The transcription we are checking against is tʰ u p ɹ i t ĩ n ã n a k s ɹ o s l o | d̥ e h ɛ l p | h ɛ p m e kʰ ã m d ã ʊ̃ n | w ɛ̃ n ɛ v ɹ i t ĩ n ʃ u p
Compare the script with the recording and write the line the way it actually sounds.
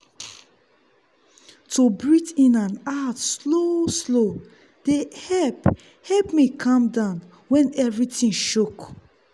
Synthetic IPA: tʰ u b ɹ i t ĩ n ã n a t s l o s l o | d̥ e h ɛ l p | h ɛ p m i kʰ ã m d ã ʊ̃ n | w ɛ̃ n ɛ v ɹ i t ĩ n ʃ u k